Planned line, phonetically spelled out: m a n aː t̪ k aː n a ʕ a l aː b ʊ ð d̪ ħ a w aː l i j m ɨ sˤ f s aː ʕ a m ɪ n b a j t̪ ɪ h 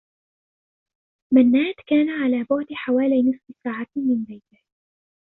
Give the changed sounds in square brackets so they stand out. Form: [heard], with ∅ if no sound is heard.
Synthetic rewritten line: m a [nː] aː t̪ k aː n a ʕ a l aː b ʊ [ʕ] d̪ ħ a w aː l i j [n] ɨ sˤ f s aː ʕ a m ɪ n b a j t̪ ɪ h